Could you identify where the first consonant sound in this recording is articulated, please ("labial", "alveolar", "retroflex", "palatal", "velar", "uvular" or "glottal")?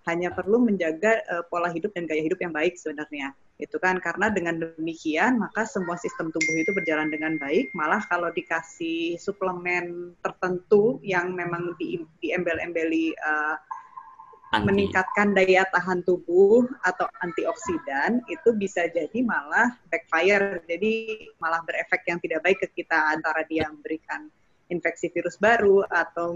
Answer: glottal